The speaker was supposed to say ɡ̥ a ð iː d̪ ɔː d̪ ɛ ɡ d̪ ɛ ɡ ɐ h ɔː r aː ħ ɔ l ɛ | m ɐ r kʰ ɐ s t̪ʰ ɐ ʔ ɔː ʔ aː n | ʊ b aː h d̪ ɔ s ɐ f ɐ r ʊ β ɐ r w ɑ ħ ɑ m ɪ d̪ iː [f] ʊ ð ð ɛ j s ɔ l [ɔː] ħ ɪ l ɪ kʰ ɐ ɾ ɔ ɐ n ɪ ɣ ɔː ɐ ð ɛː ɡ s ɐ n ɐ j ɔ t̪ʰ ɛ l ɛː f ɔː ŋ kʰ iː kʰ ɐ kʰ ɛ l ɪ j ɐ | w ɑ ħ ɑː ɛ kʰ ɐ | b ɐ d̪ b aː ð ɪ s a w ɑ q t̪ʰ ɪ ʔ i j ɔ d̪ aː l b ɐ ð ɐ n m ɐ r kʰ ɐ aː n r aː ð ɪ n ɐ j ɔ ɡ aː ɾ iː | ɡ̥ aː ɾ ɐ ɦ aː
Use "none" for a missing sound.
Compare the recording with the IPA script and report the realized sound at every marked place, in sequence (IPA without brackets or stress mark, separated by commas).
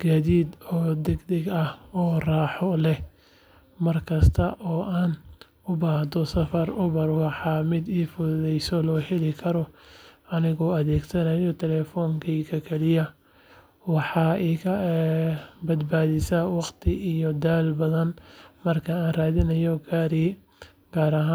f, ɔː